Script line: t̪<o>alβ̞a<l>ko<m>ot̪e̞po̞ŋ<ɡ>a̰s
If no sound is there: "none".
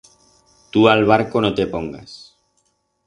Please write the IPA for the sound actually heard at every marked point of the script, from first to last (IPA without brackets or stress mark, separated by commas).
u, ɾ, n, ɡ